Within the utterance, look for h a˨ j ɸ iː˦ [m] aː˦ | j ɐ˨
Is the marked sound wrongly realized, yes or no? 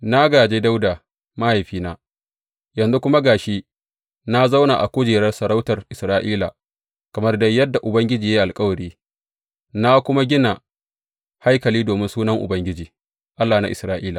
yes